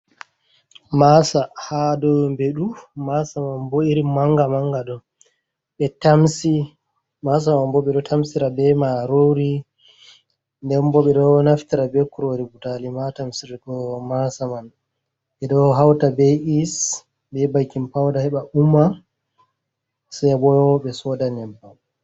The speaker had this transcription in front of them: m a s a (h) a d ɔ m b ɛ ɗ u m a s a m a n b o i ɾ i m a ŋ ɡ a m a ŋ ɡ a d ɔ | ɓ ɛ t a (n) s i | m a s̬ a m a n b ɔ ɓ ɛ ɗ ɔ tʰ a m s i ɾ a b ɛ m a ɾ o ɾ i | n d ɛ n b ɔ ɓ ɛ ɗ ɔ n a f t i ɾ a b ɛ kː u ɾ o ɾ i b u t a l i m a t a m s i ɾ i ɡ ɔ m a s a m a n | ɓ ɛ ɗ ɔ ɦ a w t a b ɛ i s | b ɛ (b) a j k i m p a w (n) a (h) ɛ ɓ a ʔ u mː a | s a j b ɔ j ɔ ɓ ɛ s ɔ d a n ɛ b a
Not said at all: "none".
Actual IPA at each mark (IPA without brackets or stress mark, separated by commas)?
h, m, b, d, h